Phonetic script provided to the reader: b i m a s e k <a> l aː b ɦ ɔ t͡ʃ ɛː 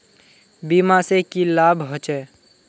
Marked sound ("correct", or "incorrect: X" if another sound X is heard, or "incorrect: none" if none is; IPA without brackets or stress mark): incorrect: i